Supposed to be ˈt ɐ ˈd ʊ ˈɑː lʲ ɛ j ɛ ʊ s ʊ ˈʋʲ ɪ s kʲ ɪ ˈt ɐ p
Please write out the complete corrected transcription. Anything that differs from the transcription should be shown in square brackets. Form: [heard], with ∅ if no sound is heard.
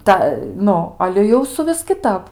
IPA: ˈt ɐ [ˈn] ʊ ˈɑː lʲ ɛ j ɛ ʊ s ʊ ˈʋʲ ɪ s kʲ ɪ ˈt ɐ p

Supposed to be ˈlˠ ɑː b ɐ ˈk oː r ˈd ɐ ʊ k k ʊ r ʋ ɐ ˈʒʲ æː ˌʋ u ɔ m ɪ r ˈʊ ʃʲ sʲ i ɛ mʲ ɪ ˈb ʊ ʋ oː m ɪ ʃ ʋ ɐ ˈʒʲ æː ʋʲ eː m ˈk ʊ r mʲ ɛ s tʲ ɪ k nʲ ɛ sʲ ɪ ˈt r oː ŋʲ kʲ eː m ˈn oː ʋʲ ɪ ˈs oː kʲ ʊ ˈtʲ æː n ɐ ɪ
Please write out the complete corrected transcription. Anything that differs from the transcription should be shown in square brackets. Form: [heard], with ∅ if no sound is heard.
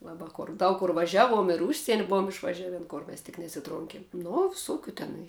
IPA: ˈlˠ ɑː b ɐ ˈk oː r ˈd ɐ ʊ k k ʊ r ʋ ɐ ˈʒʲ æː ˌʋ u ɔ m ɪ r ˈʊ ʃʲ sʲ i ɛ [nʲ] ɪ ˈb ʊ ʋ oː m ɪ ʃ ʋ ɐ ˈʒʲ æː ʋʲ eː [n] ˈk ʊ r mʲ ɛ s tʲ ɪ k nʲ ɛ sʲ ɪ ˈt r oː ŋʲ kʲ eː m ˈn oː ʋʲ ɪ ˈs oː kʲ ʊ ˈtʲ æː n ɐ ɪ

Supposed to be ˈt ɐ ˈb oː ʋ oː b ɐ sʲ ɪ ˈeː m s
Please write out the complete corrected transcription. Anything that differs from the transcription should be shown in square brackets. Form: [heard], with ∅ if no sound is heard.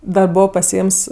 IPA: [ˈd] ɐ ˈb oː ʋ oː [p] ɐ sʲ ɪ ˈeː m s

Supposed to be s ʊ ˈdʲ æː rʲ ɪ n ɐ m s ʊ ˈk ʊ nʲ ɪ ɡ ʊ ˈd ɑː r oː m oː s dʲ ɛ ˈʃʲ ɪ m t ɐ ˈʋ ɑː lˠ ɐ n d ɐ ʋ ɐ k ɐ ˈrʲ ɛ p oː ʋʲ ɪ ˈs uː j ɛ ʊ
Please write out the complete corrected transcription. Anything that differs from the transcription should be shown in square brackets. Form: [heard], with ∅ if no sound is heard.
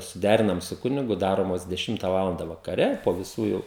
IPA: s ʊ ˈdʲ æː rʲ ɪ n ɐ m s ʊ ˈk ʊ nʲ ɪ ɡ ʊ ˈd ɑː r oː m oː s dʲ ɛ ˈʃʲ ɪ m t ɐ ˈʋ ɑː lˠ ɐ n d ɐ ʋ ɐ k ɐ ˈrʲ ɛ p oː ʋʲ ɪ ˈs uː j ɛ ʊ

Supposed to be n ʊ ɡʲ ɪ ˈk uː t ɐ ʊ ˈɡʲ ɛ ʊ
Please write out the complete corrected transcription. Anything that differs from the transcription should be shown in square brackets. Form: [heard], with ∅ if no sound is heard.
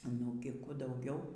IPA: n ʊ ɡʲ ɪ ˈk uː [d] ɐ ʊ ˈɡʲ ɛ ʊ

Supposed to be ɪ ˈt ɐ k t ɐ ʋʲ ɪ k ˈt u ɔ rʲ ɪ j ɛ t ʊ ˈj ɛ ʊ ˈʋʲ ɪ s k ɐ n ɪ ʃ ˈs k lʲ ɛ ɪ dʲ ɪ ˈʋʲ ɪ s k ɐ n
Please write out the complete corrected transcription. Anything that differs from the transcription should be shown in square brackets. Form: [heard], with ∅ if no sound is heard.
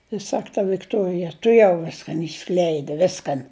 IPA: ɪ [ˈs] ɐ k t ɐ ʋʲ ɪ k ˈt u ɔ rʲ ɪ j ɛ t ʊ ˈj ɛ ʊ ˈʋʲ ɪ s k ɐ n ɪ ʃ ˈs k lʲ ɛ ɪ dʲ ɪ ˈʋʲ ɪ s k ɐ n

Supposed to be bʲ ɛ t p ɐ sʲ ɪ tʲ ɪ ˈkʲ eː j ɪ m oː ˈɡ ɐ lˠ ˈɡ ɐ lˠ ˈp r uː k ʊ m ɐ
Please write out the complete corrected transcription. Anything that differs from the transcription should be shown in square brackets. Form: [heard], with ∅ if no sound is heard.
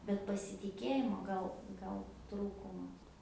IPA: bʲ ɛ t p ɐ sʲ ɪ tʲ ɪ ˈkʲ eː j ɪ m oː ˈɡ ɐ lˠ ˈɡ ɐ lˠ [ˈt] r uː k ʊ m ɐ

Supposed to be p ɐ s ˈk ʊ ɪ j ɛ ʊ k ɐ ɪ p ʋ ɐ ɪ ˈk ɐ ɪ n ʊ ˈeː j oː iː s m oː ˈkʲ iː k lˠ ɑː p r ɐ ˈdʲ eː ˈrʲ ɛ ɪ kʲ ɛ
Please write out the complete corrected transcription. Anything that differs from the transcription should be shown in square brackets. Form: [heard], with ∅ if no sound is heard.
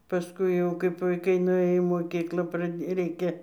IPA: p ɐ s ˈk ʊ ɪ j ɛ ʊ k ɐ ɪ p ʋ ɐ ɪ ˈk ɐ ɪ n ʊ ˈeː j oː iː [∅] m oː ˈkʲ iː k lˠ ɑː p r ɐ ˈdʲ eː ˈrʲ ɛ ɪ kʲ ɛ

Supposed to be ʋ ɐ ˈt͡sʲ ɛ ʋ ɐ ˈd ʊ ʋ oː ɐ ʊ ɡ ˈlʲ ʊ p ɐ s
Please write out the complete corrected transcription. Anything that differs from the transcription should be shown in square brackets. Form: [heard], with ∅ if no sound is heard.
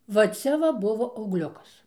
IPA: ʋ ɐ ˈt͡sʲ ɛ ʋ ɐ [ˈb] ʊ ʋ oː ɐ ʊ ɡ ˈlʲ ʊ [k] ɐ s

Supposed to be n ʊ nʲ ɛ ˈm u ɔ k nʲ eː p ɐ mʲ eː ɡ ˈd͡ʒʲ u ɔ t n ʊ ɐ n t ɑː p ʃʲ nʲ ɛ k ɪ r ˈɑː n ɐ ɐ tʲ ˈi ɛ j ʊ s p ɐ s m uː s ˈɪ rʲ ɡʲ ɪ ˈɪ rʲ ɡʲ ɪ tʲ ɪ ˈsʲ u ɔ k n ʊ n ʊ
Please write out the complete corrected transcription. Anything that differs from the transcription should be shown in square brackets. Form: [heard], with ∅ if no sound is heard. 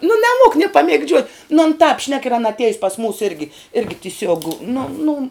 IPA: n ʊ nʲ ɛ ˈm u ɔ k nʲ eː p ɐ mʲ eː ɡ ˈd͡ʒʲ u ɔ t n ʊ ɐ n t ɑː p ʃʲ nʲ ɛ k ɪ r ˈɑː n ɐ ɐ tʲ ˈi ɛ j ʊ s p ɐ s m uː s ˈɪ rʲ ɡʲ ɪ ˈɪ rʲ ɡʲ ɪ tʲ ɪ ˈsʲ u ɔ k n ʊ n ʊ

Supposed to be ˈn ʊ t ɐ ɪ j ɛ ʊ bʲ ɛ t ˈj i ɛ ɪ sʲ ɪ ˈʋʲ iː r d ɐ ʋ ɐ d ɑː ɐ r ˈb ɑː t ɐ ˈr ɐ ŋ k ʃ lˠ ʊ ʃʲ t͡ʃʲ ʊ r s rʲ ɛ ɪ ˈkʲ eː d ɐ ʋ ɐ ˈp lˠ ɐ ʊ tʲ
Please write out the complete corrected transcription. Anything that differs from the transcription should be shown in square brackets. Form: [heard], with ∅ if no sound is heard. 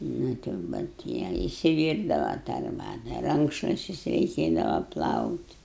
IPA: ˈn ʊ t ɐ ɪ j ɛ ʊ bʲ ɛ t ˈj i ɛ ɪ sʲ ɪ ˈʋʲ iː r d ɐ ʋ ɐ [t] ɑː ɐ r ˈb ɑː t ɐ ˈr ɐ ŋ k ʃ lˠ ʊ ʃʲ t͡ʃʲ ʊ [∅] s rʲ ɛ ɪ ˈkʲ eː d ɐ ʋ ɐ ˈp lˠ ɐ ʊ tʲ

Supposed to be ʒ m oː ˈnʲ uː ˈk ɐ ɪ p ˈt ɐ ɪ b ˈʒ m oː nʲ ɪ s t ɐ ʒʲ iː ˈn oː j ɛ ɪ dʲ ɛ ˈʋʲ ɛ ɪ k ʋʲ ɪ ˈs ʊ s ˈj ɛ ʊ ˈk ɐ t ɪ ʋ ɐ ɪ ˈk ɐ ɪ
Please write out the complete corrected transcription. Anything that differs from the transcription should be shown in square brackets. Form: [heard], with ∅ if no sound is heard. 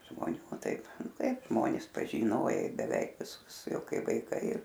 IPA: ʒ m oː ˈnʲ uː [ˈt] ɐ ɪ p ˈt ɐ ɪ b ˈʒ m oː nʲ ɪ s [p] ɐ ʒʲ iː ˈn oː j ɛ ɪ [bʲ] ɛ ˈʋʲ ɛ ɪ k ʋʲ ɪ ˈs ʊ s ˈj ɛ ʊ ˈk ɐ [∅] ɪ ʋ ɐ ɪ ˈk ɐ ɪ

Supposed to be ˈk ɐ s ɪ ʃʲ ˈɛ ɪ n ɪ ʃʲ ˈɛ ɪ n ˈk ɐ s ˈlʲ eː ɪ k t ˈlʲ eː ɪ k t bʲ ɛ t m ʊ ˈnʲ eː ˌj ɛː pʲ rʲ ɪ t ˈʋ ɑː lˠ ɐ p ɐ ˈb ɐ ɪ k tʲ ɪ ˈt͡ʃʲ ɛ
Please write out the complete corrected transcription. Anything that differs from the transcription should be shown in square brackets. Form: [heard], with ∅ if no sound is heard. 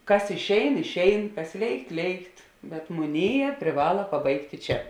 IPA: ˈk ɐ s ɪ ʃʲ ˈɛ ɪ n ɪ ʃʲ ˈɛ ɪ n ˈk ɐ s ˈlʲ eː ɪ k t ˈlʲ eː ɪ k t bʲ ɛ t m ʊ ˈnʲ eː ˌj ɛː pʲ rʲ ɪ [∅] ˈʋ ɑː lˠ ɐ p ɐ ˈb ɐ ɪ k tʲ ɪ ˈt͡ʃʲ ɛ

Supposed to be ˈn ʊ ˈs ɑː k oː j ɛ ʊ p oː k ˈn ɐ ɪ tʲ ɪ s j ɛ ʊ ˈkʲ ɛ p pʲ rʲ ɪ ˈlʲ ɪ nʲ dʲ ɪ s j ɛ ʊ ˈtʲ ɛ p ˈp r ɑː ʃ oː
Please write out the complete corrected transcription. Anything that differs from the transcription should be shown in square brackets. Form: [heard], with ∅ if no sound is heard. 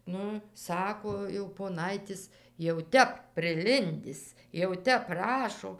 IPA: ˈn ʊ ˈs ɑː k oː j ɛ ʊ p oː [∅] ˈn ɐ ɪ tʲ ɪ s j ɛ ʊ [ˈtʲ] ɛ p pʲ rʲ ɪ ˈlʲ ɪ nʲ dʲ ɪ s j ɛ ʊ ˈtʲ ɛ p ˈp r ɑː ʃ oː

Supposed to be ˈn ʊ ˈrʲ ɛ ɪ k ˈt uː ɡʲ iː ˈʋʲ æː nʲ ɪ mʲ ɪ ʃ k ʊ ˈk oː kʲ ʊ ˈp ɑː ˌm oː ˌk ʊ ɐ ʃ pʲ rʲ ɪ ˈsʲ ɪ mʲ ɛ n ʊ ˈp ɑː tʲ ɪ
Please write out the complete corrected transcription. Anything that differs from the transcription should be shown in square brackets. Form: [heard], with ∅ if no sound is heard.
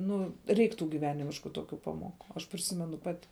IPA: ˈn ʊ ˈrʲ ɛ ɪ k ˈt uː ɡʲ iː ˈʋʲ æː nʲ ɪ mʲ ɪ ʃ k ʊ [ˈt] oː kʲ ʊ ˈp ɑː ˌm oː ˌk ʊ ɐ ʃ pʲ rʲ ɪ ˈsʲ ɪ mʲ ɛ n ʊ ˈp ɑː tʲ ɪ

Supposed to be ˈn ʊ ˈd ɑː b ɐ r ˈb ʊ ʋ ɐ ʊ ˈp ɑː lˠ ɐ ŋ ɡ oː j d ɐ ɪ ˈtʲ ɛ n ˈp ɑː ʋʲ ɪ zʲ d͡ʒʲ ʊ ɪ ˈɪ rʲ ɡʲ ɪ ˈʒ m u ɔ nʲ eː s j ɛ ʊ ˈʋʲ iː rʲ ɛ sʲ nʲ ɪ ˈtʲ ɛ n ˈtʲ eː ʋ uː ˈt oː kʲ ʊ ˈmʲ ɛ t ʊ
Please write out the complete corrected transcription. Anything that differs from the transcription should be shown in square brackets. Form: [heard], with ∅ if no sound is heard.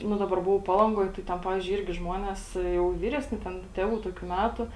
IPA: ˈn ʊ ˈd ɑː b ɐ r ˈb ʊ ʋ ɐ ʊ ˈp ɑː lˠ ɐ ŋ ɡ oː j [t] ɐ ɪ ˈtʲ ɛ n ˈp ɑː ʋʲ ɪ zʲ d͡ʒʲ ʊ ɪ ˈɪ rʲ ɡʲ ɪ ˈʒ m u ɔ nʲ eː s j ɛ ʊ ˈʋʲ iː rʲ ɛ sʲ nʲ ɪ ˈtʲ ɛ n ˈtʲ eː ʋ uː ˈt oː kʲ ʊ ˈmʲ [æ] t ʊ

